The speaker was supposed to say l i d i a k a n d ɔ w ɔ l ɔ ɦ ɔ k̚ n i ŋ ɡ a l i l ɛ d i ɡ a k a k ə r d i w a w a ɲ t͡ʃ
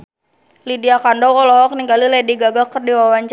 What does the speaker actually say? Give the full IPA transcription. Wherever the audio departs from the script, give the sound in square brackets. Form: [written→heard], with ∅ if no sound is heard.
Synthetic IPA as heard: l i d i a k a n d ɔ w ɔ l ɔ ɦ ɔ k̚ n i ŋ ɡ a l i l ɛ d i ɡ a [k→ɡ] a k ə r d i w a w a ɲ t͡ʃ